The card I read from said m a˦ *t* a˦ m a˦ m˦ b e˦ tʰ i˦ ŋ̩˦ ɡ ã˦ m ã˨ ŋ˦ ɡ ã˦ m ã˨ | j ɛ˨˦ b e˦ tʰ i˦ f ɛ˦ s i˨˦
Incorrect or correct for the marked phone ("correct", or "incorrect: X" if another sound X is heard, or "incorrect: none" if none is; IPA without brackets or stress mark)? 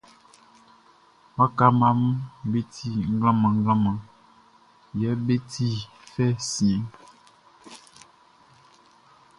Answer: incorrect: k